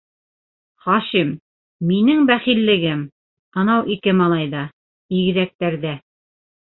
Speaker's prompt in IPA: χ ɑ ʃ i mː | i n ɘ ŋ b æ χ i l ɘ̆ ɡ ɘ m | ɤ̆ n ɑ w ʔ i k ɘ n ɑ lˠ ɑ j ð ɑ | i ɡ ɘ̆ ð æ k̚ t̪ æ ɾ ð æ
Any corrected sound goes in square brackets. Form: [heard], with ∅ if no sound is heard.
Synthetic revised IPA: χ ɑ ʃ i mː | i n ɘ ŋ b æ χ i [lː] ɘ̆ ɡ ɘ m | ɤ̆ n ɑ w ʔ i k ɘ [m] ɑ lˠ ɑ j ð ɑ | i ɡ ɘ̆ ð æ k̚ t̪ æ ɾ ð æ